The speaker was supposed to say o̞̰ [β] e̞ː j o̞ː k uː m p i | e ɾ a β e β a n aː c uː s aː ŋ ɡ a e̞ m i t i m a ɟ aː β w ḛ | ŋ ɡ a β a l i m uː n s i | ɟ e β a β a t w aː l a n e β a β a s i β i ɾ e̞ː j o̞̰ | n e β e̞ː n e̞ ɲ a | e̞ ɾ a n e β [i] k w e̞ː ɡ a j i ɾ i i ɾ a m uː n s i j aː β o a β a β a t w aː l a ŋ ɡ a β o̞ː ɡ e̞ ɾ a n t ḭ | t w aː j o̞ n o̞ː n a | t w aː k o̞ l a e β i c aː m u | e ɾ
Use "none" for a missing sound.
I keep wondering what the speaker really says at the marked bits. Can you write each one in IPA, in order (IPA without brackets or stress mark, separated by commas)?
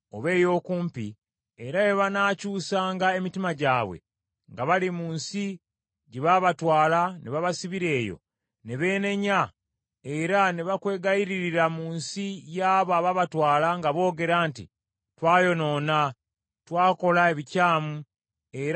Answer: β, a